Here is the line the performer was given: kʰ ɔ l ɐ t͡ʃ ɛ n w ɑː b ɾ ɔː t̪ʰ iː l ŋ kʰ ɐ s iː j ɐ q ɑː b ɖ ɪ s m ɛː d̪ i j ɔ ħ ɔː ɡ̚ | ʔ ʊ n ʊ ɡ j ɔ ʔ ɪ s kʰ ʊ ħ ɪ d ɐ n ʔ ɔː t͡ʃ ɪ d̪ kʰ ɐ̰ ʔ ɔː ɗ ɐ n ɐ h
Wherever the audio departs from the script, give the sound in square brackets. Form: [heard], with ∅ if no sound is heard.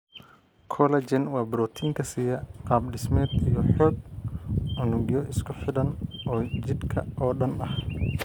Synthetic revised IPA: kʰ ɔ l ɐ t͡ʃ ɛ n w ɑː b ɾ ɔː t̪ʰ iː [∅] ŋ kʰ ɐ s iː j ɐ q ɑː b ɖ ɪ s m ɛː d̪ i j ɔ ħ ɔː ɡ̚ | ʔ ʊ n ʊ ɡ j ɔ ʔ ɪ s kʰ ʊ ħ ɪ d ɐ n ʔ ɔː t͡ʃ ɪ d̪ kʰ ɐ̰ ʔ ɔː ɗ ɐ n ɐ h